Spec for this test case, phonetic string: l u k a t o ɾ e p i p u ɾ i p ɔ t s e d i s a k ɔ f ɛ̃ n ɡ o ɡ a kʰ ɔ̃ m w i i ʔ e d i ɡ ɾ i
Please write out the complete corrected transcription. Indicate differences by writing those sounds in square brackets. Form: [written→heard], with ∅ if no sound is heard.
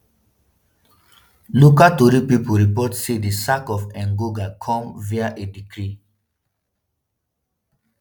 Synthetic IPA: l u k a t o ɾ [e→i] p i p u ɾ i p ɔ t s e d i s a k ɔ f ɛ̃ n ɡ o ɡ a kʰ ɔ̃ m [w→v] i [i→a] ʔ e d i [ɡ→k] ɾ i